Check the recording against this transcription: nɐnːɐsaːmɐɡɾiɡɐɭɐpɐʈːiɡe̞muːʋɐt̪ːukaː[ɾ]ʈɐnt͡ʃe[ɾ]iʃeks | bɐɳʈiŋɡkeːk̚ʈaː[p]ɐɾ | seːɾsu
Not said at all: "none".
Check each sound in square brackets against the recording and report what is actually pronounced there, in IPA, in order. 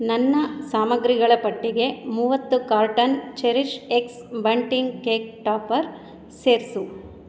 ɾ, ɾ, p

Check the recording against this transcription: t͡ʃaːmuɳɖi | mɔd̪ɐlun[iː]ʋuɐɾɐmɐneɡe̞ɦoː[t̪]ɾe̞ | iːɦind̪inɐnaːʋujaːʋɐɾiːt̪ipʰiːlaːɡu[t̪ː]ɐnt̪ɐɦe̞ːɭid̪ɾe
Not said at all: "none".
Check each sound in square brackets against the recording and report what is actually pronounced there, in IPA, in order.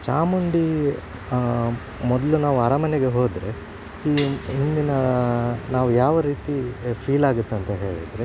aː, d̪, t̪ː

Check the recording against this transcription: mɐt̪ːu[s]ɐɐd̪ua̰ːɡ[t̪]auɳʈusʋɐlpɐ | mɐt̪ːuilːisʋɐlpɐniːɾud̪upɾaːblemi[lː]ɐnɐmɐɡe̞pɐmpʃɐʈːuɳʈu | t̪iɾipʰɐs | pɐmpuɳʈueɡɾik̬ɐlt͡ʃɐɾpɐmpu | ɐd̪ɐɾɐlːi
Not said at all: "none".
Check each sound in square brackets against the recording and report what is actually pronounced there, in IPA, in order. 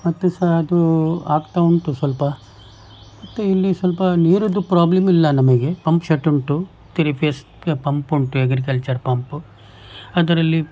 s, t̪, lː

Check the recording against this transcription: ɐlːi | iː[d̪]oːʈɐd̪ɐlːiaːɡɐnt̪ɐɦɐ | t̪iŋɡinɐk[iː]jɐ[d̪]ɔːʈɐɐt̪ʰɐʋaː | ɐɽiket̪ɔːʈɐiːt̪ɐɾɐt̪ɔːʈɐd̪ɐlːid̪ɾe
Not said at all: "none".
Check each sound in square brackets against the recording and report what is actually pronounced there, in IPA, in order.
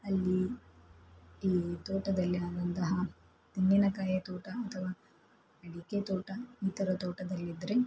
t̪, aː, t̪

